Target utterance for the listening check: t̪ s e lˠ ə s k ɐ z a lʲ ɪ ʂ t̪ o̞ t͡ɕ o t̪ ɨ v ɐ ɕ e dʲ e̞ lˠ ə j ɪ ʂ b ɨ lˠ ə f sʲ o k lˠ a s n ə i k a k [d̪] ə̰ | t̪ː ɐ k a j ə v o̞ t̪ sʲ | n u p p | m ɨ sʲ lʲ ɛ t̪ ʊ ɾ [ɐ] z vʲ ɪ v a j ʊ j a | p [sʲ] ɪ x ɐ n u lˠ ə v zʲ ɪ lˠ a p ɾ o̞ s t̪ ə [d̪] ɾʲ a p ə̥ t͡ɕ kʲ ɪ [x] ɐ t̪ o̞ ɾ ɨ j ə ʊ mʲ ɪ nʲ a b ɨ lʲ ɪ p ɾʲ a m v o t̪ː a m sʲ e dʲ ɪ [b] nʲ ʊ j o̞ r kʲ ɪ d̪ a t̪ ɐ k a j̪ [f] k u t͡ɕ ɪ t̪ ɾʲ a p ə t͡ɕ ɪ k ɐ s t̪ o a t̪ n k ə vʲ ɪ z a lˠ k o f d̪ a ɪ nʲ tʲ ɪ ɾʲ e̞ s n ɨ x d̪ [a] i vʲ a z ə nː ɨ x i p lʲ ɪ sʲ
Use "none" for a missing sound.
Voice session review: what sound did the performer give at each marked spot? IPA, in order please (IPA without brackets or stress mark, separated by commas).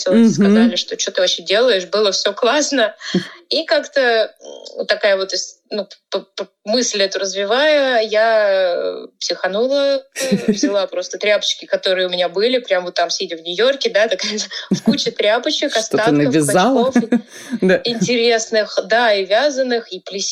t̪, ə, sʲ, t̪, k, v, f, a